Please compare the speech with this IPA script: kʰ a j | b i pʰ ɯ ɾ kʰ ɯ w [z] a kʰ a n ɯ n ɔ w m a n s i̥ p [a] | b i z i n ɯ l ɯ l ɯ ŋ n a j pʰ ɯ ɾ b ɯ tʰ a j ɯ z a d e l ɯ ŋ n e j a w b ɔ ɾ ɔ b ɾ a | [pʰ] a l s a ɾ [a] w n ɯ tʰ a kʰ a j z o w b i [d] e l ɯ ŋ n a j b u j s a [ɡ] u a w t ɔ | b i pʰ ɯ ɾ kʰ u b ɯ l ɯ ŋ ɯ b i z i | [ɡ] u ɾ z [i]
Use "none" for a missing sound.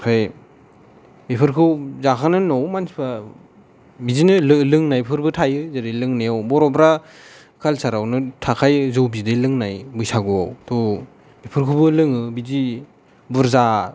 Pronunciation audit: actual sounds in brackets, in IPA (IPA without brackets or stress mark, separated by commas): z, a, kʰ, a, d, ɡ, b, a